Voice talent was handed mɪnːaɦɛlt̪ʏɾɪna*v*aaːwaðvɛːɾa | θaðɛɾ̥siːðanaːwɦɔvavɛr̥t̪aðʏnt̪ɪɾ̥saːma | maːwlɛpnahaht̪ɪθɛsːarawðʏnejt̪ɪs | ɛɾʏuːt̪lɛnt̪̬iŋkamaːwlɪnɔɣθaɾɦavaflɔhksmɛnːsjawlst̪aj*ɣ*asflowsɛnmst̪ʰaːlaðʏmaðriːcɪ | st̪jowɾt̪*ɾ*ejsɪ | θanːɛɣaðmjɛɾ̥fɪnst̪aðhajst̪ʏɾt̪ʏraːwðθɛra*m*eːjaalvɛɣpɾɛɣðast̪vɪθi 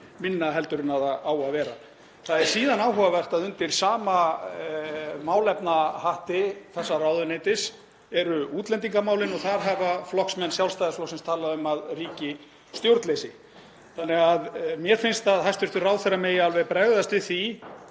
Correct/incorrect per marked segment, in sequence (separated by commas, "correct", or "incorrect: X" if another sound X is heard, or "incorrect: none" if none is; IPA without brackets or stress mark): incorrect: ð, incorrect: ð, incorrect: l, correct